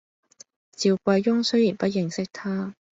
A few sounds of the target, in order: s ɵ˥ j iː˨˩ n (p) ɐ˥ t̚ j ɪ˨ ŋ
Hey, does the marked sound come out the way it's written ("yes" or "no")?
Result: yes